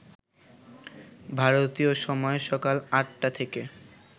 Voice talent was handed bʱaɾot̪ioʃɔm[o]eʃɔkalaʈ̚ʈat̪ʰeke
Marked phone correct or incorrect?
incorrect